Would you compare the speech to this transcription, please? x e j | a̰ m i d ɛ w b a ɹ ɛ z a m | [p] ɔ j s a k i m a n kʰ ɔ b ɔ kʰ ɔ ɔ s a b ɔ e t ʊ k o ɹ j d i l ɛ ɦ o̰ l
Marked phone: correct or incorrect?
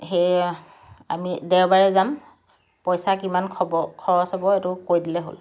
correct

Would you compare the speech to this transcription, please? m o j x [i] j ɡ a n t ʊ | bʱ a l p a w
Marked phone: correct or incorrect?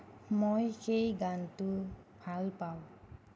incorrect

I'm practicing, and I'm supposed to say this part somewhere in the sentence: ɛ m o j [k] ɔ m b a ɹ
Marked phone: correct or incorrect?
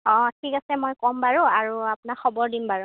correct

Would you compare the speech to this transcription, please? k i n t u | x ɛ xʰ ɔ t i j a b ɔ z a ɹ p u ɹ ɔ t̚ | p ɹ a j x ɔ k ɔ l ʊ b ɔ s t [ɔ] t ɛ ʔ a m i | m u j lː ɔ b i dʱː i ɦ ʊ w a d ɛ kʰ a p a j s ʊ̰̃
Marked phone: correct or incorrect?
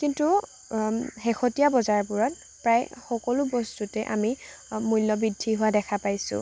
incorrect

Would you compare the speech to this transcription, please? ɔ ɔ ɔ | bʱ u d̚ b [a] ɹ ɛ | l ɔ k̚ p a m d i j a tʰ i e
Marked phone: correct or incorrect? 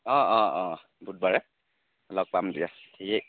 correct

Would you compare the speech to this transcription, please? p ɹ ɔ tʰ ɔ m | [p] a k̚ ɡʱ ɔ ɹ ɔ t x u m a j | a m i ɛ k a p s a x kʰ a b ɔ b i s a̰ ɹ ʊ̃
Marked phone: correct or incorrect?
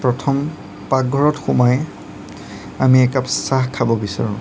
correct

